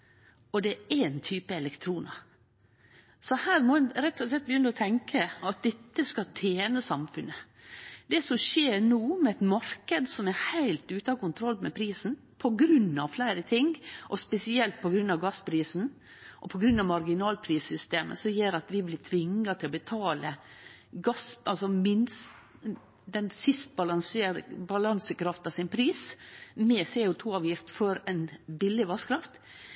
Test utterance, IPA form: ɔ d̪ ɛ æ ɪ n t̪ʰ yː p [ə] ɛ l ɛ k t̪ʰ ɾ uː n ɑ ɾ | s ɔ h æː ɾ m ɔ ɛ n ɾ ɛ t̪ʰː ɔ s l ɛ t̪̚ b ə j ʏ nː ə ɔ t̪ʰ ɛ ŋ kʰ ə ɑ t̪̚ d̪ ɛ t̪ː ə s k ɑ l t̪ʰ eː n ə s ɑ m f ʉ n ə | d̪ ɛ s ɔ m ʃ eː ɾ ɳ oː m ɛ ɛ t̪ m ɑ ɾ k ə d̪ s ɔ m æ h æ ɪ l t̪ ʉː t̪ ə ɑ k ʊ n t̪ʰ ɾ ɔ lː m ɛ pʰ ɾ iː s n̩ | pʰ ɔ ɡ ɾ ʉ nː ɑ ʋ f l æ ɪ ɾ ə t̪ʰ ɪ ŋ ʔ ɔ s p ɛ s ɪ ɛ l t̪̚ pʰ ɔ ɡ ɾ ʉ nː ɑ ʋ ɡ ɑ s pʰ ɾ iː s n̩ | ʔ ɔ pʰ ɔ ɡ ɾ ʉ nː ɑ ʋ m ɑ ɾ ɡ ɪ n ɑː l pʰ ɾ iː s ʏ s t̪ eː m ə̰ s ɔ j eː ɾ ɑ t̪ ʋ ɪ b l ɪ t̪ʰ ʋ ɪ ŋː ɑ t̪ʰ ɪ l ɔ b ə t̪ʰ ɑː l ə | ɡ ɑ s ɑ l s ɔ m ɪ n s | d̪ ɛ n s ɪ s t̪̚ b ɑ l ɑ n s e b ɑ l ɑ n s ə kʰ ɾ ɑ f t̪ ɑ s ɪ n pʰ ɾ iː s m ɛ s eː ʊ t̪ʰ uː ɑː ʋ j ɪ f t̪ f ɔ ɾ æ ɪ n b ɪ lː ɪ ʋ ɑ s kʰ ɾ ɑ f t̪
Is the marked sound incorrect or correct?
correct